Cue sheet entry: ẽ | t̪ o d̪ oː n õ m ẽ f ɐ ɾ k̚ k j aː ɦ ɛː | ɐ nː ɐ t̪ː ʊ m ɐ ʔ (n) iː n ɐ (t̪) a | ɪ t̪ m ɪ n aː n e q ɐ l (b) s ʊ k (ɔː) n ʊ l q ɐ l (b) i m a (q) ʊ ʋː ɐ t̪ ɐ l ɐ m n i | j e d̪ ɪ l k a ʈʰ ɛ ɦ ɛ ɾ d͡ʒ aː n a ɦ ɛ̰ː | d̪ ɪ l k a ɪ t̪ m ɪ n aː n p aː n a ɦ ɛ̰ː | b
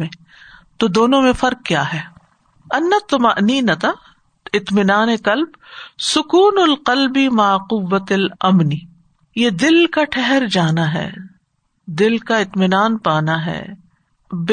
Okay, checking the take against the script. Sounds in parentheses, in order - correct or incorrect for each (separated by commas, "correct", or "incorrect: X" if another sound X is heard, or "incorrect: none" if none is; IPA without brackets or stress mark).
correct, correct, correct, incorrect: uː, correct, correct